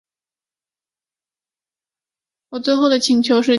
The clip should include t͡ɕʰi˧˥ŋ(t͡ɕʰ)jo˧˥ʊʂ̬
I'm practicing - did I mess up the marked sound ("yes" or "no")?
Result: no